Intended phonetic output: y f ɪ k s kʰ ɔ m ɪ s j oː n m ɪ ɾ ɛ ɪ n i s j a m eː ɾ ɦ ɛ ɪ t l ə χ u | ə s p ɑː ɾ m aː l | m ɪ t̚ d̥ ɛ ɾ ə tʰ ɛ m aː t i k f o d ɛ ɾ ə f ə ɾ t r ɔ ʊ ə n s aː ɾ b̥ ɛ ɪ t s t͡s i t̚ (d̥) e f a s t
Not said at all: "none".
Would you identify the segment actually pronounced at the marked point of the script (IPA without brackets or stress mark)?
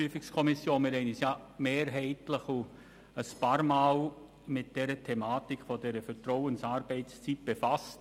b̥